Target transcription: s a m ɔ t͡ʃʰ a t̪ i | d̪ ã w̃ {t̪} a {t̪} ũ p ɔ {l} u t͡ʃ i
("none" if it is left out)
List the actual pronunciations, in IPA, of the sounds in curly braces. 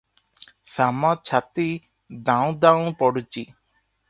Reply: d̪, none, ɽ

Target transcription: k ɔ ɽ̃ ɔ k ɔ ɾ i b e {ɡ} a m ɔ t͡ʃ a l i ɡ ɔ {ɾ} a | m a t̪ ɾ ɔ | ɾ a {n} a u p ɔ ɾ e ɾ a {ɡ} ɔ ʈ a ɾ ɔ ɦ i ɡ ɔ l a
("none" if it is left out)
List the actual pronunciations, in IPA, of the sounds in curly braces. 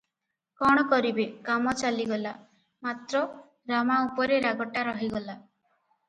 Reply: k, l, m, ɡ

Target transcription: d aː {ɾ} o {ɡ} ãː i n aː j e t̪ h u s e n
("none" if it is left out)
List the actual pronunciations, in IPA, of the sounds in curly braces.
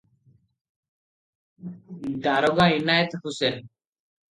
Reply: ɾ, ɡ

